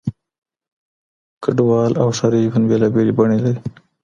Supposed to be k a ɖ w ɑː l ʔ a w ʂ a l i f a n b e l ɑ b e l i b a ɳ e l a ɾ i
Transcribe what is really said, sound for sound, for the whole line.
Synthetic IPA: k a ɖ w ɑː l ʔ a w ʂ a ɾ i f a n b e l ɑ b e l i b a ɳ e l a ɾ i